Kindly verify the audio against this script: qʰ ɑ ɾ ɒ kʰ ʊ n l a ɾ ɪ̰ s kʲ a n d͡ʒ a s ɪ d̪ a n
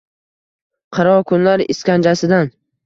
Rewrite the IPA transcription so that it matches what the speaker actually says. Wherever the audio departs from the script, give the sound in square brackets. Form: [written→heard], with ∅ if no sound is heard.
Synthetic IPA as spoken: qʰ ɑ ɾ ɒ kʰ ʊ n l a ɾ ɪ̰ s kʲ a n d͡ʒ a s ɪ d̪ a n